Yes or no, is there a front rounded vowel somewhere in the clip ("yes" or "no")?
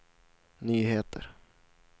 yes